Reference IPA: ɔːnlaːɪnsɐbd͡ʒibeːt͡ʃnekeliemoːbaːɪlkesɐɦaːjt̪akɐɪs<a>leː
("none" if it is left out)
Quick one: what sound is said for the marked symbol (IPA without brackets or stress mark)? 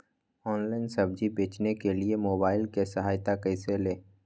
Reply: e